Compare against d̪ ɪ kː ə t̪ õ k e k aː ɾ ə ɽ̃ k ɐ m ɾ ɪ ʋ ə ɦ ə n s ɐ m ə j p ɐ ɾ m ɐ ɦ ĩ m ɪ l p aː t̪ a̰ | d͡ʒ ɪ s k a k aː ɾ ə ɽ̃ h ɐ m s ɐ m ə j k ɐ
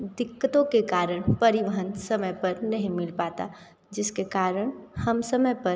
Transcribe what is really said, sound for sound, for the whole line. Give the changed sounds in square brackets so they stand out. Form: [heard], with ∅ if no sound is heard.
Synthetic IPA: d̪ ɪ kː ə t̪ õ k e k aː ɾ ə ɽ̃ [p] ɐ [∅] ɾ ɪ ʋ ə ɦ ə n s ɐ m ə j p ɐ ɾ [n] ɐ ɦ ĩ m ɪ l p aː t̪ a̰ | d͡ʒ ɪ s k [e] k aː ɾ ə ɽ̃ h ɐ m s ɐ m ə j [p] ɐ